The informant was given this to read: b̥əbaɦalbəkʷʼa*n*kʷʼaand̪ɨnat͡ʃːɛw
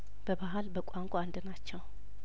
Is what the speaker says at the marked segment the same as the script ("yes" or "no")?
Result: no